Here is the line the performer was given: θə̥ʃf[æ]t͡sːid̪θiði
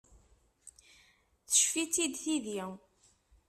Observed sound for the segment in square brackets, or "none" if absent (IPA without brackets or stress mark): i